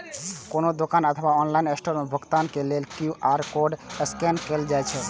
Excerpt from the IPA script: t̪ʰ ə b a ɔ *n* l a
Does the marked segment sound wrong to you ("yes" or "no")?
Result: no